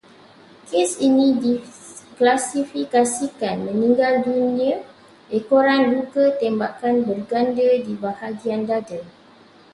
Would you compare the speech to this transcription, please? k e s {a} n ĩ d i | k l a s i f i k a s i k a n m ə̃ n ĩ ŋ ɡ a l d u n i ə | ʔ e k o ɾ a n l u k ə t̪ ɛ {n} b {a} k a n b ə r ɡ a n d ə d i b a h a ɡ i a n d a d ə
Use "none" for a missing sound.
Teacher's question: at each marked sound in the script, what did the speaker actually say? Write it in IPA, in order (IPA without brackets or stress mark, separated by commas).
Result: i, m, a